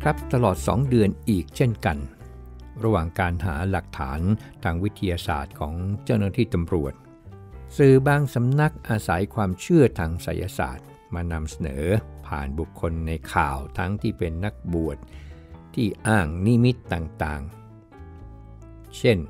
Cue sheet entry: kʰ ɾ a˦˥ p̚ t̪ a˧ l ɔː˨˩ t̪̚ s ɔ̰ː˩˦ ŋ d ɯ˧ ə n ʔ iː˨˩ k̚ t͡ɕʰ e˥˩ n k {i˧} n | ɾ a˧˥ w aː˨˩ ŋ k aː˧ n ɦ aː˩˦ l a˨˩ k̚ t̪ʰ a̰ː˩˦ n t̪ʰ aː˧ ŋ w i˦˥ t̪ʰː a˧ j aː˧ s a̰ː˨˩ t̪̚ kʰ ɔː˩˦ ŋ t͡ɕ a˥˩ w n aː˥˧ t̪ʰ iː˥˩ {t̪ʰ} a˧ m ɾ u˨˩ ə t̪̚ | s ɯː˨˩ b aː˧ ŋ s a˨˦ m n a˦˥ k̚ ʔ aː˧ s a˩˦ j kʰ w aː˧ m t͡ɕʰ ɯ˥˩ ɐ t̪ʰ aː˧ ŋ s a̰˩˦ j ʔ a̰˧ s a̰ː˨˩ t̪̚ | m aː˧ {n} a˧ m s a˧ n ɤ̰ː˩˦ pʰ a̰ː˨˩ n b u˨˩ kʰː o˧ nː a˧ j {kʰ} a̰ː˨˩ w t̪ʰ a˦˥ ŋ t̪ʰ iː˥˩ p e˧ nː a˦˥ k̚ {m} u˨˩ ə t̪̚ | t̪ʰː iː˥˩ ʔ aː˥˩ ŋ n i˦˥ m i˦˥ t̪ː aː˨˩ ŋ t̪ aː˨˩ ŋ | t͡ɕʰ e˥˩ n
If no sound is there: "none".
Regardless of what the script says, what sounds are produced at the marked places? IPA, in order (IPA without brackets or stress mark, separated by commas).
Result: a˧, t̪, n, kʰ, b